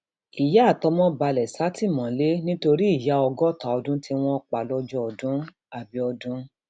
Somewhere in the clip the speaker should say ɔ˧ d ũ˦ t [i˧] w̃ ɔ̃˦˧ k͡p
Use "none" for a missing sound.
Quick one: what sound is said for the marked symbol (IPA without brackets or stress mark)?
i˧